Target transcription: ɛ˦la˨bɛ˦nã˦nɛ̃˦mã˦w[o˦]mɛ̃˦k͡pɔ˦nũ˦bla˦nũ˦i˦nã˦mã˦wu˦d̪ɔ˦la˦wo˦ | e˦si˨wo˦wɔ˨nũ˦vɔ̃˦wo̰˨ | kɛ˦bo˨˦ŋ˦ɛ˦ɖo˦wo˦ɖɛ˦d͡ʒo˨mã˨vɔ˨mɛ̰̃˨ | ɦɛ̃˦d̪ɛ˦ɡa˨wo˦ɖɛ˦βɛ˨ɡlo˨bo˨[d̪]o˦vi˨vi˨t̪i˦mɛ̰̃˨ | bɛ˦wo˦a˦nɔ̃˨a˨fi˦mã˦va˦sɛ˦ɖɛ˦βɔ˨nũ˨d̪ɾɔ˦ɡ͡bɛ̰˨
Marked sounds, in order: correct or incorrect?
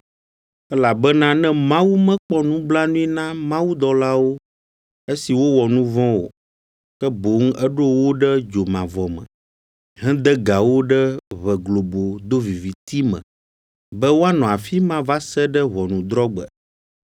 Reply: incorrect, correct

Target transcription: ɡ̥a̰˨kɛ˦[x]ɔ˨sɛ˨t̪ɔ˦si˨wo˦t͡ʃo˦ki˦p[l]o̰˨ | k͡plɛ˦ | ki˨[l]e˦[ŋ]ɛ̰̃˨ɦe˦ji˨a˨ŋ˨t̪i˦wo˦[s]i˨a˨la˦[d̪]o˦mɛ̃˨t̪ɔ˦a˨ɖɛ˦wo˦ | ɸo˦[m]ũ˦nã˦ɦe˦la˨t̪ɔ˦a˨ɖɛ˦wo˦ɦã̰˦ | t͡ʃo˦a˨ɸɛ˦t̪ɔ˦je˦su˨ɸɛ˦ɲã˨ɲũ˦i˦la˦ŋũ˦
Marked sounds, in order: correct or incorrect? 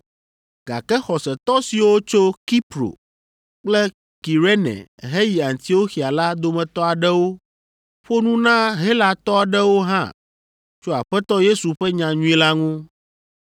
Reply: correct, incorrect, incorrect, incorrect, incorrect, correct, incorrect

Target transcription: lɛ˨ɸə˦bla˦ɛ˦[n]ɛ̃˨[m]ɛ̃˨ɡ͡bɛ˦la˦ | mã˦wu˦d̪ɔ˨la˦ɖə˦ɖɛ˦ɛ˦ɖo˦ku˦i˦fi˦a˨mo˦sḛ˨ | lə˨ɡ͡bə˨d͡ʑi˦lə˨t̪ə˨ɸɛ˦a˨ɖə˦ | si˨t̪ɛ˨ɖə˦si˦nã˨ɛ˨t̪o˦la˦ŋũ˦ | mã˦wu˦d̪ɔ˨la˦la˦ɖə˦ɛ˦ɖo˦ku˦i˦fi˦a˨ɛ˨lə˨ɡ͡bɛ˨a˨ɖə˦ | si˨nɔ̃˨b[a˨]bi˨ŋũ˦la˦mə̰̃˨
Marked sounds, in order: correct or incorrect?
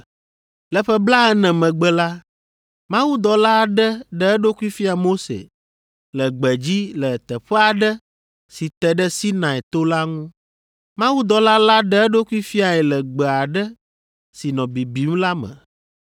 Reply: correct, correct, incorrect

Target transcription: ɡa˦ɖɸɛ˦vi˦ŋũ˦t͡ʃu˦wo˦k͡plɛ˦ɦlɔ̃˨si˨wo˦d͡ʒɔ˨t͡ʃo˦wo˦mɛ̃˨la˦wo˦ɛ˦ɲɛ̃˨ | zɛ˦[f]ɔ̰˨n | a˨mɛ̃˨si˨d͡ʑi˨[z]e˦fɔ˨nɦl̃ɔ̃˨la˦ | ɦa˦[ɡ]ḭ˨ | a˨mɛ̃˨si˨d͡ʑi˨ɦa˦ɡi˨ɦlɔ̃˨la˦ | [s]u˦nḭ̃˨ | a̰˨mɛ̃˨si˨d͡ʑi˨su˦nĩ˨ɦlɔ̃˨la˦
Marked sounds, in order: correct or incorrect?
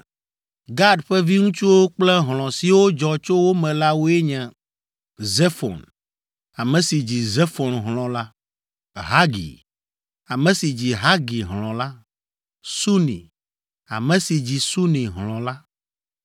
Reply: correct, correct, correct, correct

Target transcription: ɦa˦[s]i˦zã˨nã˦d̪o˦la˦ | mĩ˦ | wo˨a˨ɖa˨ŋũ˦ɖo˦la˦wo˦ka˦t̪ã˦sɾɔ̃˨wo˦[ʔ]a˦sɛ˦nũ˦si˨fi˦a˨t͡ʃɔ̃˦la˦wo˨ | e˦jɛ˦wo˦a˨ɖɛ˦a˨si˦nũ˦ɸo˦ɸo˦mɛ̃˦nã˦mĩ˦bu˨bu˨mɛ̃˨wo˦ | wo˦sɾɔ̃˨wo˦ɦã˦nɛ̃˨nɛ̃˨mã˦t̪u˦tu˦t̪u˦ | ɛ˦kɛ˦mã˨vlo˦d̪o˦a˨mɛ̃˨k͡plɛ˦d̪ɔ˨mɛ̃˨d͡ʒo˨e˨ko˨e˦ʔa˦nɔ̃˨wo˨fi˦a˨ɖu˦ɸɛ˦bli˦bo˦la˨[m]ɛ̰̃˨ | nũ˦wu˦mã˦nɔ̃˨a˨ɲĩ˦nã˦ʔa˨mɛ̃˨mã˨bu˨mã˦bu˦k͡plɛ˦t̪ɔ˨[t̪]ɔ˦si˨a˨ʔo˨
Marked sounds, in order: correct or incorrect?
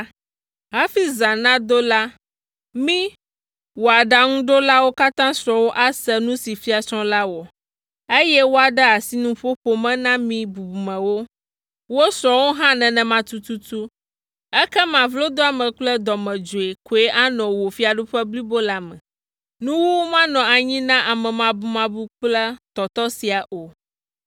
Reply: incorrect, correct, correct, correct

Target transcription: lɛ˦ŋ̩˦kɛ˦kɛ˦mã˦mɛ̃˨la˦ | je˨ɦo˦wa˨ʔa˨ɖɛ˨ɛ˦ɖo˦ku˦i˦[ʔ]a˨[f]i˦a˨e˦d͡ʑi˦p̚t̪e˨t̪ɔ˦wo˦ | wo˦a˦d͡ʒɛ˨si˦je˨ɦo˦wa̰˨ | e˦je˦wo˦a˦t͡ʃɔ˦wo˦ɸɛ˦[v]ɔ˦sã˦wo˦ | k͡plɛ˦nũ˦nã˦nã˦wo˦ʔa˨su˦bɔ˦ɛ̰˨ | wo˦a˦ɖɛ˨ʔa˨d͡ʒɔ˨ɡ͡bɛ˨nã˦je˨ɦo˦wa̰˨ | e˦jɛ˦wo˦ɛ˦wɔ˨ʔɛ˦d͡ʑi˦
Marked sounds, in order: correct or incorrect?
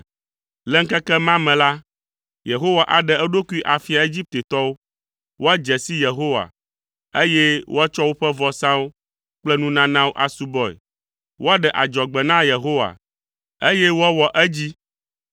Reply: correct, correct, correct

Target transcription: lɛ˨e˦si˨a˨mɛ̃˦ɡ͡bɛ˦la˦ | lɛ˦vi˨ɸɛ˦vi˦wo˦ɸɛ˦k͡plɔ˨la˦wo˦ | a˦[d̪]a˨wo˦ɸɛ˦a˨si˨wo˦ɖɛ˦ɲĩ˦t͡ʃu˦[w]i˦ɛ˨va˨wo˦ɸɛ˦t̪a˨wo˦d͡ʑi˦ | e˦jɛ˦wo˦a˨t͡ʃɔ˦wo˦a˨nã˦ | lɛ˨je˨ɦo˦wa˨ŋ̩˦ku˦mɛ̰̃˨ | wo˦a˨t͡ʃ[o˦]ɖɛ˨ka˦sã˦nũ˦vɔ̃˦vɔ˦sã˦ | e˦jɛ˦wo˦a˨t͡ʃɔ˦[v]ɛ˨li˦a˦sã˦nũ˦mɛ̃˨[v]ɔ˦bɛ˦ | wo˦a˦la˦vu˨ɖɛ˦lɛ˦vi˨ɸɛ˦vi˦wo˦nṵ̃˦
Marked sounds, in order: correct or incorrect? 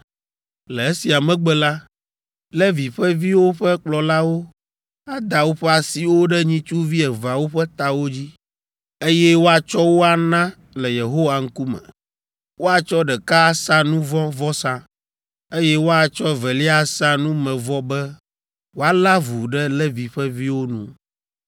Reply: correct, incorrect, incorrect, correct, correct

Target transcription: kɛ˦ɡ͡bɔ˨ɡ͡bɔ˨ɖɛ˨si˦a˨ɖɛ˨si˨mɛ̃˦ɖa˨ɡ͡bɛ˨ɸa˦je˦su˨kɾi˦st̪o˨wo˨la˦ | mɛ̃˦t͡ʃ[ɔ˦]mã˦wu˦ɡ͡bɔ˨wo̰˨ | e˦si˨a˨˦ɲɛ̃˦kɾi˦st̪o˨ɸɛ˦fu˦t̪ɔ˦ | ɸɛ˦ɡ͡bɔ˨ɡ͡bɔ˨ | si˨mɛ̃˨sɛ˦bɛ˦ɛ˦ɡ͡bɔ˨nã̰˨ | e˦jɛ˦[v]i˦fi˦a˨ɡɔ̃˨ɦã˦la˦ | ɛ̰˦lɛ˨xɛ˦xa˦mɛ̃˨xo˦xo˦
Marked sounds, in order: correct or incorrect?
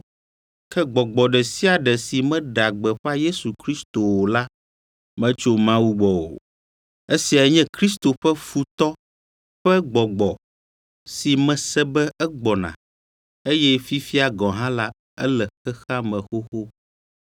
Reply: incorrect, incorrect

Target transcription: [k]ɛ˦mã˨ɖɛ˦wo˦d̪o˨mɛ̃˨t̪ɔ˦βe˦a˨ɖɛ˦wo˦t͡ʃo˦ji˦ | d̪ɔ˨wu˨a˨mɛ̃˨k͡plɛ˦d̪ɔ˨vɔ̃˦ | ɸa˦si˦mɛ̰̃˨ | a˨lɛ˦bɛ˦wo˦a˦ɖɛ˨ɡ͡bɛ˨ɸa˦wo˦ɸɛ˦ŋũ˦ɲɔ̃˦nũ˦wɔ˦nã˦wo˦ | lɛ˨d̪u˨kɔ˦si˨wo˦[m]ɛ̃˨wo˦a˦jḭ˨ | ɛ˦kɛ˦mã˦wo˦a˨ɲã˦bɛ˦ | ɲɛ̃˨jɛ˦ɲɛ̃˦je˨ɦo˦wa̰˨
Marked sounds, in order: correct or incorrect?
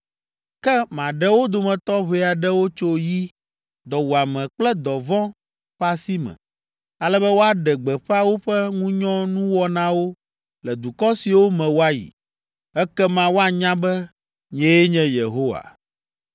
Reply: correct, correct

